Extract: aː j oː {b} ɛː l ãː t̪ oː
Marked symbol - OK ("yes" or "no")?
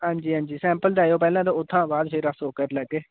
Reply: no